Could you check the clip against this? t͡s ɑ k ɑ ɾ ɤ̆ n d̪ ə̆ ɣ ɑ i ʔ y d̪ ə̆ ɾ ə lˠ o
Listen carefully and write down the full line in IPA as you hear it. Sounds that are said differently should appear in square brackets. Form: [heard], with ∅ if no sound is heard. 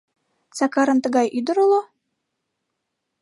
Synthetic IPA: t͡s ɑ k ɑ ɾ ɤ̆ n [t̪] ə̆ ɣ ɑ [j] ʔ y d̪ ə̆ ɾ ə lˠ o